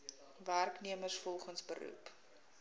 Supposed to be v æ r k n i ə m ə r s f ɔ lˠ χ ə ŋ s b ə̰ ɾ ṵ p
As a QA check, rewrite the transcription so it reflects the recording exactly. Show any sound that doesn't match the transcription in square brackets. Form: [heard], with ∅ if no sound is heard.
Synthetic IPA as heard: v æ r k n i ə m ə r s f ɔ lˠ χ ə [n] s b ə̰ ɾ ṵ p